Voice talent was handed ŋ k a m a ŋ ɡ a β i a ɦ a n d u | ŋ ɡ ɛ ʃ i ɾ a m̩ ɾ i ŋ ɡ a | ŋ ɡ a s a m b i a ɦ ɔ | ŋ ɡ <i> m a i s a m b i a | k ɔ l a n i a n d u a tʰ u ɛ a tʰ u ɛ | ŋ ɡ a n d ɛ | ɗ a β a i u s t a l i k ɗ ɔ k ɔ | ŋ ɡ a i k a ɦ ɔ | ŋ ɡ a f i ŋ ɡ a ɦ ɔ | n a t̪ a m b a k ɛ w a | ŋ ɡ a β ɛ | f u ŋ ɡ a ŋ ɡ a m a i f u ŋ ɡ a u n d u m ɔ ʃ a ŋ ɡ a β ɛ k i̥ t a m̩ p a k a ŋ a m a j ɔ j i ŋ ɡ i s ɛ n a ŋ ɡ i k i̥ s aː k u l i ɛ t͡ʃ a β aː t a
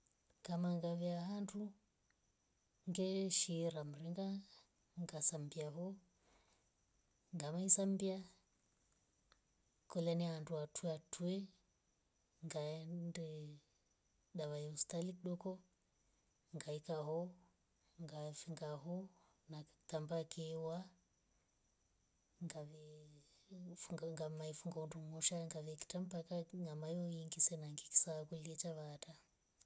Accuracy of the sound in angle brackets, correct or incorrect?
incorrect